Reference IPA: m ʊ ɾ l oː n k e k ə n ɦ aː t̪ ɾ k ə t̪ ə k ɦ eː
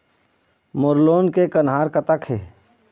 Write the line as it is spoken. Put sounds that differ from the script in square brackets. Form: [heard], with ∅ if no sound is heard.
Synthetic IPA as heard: m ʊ ɾ l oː n k e k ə n ɦ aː [∅] ɾ k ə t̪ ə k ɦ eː